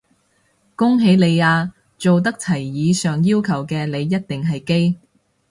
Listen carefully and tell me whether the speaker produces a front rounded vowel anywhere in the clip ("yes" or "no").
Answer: yes